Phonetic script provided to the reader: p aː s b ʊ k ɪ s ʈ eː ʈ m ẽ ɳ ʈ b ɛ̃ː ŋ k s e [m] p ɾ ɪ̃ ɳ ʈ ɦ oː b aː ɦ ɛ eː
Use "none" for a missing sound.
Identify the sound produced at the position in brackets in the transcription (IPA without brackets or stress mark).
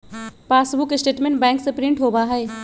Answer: none